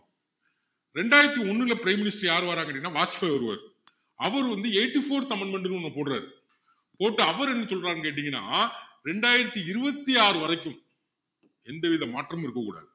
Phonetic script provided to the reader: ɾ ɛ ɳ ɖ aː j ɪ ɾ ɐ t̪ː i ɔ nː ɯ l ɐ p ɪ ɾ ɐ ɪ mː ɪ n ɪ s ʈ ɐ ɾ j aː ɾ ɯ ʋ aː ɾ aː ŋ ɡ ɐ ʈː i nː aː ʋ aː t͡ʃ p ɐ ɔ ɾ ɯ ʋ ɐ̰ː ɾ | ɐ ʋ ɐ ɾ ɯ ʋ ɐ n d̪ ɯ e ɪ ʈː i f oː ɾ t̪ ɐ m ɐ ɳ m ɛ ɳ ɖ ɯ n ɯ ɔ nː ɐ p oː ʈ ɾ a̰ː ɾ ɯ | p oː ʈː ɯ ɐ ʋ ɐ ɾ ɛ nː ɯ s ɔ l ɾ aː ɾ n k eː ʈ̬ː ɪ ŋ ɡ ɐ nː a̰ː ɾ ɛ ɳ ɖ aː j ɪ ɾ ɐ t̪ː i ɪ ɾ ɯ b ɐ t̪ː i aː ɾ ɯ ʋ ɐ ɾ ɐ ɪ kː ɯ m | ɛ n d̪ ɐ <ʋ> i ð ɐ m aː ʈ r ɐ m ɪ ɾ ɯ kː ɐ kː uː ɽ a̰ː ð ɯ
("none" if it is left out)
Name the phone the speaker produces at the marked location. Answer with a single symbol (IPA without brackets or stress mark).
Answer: ʋ